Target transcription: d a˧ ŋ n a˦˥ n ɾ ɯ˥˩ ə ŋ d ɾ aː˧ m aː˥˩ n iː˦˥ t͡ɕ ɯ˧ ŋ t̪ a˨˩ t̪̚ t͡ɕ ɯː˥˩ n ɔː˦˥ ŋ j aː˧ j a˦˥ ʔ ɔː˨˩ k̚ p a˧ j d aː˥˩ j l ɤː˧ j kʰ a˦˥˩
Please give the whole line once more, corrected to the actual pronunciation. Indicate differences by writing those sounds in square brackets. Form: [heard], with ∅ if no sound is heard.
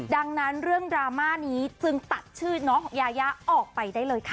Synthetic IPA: d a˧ ŋ n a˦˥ n ɾ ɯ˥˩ ə ŋ d ɾ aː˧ m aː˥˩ n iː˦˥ t͡ɕ ɯ˧ ŋ t̪ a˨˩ t̪̚ [t͡ɕʰ] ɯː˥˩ n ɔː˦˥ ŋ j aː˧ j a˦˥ ʔ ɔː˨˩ k̚ p a˧ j d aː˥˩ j l ɤː˧ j kʰ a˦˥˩